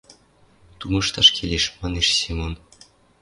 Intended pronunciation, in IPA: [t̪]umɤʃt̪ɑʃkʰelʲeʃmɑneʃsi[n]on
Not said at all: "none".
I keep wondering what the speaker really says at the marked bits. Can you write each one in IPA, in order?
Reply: t̪, m

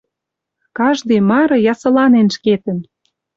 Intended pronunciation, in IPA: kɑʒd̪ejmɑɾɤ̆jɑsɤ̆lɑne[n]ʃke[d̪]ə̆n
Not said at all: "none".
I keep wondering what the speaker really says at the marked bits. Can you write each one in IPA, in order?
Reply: n, t̪

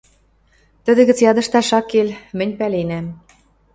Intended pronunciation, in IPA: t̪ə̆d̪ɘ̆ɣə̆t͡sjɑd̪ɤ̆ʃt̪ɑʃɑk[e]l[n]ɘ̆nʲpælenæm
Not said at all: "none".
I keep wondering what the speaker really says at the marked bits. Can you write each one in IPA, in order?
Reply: e, m

